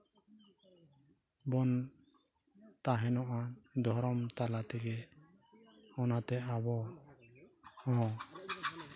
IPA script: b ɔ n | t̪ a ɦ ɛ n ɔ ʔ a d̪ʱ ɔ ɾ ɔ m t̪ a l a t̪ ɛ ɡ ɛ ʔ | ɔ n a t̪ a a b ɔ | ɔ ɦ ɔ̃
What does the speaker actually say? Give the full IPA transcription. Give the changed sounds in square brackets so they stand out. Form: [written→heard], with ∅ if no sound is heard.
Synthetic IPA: b ɔ n | t̪ a ɦ ɛ n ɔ ʔ a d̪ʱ ɔ ɾ ɔ m t̪ a l a t̪ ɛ ɡ ɛ [ʔ→∅] | ɔ n a t̪ [a→ɛ] a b ɔ | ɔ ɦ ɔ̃

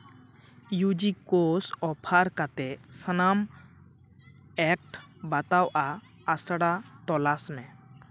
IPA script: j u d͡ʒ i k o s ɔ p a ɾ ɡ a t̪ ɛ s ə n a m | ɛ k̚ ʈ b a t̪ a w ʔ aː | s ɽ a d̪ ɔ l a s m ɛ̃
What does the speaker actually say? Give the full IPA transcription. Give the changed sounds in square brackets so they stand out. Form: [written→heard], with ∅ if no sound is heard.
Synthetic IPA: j u d͡ʒ i k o s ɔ [p→pʰ] a ɾ [ɡ→k] a t̪ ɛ s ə n a m | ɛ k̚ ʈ b a t̪ a w ʔ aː | s ɽ a [d̪→t̪] ɔ l a s m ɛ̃

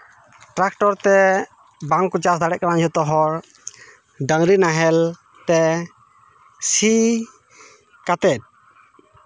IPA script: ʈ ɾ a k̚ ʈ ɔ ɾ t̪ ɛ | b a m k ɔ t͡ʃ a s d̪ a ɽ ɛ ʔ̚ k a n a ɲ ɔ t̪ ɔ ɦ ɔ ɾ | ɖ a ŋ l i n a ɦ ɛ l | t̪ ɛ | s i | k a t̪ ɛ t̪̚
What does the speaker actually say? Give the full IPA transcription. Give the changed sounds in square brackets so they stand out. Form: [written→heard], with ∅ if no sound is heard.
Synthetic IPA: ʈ ɾ a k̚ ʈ ɔ ɾ t̪ ɛ | b a [m→ŋ] k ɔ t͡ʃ a s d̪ a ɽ ɛ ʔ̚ k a n a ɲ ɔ t̪ ɔ ɦ ɔ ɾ | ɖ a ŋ [l→ɾ] i n a ɦ ɛ l | t̪ ɛ | s i | k a t̪ ɛ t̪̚

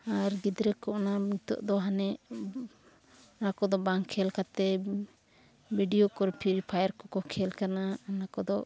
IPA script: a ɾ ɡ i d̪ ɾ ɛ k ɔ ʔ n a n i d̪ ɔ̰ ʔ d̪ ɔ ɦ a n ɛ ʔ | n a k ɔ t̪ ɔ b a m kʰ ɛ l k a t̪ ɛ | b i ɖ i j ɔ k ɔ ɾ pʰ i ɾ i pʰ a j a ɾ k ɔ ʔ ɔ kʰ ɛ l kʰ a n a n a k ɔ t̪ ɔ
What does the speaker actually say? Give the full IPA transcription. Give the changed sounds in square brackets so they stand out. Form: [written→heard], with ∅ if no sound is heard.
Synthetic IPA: a ɾ ɡ i d̪ ɾ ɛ k ɔ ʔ n a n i [d̪→t̪] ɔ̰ ʔ d̪ ɔ ɦ a n ɛ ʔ | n a k ɔ [t̪→d̪] ɔ b a [m→ŋ] kʰ ɛ l k a t̪ ɛ | b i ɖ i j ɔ k ɔ ɾ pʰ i ɾ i pʰ a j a ɾ k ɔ [ʔ→k] ɔ kʰ ɛ l [kʰ→k] a n a n a k ɔ [t̪→d̪] ɔ

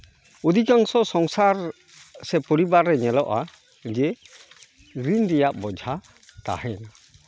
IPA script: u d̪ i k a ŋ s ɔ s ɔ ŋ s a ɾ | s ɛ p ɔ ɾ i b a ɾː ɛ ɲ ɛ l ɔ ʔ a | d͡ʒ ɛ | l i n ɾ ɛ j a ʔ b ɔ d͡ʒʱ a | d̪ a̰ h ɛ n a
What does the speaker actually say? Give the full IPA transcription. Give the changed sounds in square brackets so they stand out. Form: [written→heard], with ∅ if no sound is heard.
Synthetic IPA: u d̪ i k a ŋ s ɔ s ɔ ŋ s a ɾ | s ɛ p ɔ ɾ i b a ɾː ɛ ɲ ɛ l ɔ ʔ a | d͡ʒ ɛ | [l→ɾ] i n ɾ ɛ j a ʔ b ɔ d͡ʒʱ a | [d̪→t̪] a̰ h ɛ n a

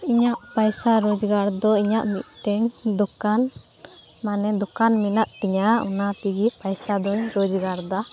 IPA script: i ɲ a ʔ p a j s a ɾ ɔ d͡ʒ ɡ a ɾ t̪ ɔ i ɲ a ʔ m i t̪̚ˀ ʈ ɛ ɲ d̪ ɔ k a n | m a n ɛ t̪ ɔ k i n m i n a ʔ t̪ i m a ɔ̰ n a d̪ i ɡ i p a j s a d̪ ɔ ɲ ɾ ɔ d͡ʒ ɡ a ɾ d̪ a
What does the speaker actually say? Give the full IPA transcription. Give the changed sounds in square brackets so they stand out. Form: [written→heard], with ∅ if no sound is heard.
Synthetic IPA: i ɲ a ʔ p a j s a ɾ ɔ d͡ʒ ɡ a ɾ [t̪→d̪] ɔ i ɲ a ʔ m i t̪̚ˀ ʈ ɛ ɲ d̪ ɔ k a n | m a n ɛ [t̪→d̪] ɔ k [i→a] n m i n a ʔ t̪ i [m→ɲ] a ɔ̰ n a [d̪→t̪] i ɡ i p a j s a d̪ ɔ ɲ ɾ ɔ d͡ʒ ɡ a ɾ d̪ a

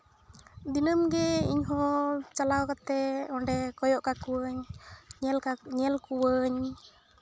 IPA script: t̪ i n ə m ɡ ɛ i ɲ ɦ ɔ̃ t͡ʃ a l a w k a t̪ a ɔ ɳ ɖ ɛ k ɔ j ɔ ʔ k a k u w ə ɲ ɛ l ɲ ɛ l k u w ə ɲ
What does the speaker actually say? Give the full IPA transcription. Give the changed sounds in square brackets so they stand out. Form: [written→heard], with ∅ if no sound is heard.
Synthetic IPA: [t̪→d̪] i n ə m ɡ ɛ i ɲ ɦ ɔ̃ t͡ʃ a l a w k a t̪ [a→ɛ] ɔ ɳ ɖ ɛ k ɔ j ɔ ʔ k a k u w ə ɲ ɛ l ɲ ɛ l k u w ə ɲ

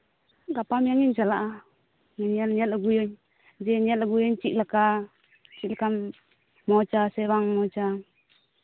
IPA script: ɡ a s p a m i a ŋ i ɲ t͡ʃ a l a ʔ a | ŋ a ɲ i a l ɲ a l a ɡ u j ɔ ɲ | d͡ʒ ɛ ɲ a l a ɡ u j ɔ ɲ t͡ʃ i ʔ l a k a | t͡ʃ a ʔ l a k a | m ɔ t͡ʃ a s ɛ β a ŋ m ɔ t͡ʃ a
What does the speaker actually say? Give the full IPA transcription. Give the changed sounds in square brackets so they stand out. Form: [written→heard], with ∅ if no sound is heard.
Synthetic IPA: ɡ a [s→∅] p a m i a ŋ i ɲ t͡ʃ a l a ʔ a | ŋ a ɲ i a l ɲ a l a ɡ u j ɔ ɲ | d͡ʒ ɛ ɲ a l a ɡ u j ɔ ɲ t͡ʃ i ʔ l a k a | t͡ʃ [a→i] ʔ l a k a | m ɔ t͡ʃ a s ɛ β a ŋ m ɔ t͡ʃ a

